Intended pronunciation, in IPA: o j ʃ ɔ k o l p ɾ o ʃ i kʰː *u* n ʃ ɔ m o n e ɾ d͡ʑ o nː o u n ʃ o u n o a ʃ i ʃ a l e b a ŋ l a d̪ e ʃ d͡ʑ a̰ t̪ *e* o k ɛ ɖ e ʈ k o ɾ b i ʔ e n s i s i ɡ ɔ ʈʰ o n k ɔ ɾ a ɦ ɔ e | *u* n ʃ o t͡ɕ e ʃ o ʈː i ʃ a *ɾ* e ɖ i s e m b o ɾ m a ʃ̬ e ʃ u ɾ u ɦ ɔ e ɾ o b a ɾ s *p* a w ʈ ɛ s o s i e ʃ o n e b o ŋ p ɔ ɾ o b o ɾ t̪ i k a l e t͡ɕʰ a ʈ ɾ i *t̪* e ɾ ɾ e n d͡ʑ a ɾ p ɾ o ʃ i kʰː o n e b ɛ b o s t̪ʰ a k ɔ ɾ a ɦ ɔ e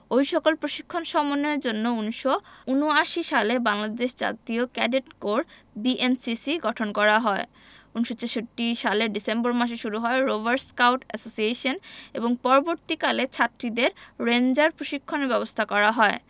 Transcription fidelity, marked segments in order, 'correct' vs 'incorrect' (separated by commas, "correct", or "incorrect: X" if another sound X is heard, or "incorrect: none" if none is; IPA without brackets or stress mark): incorrect: o, incorrect: i, correct, incorrect: l, incorrect: k, incorrect: d̪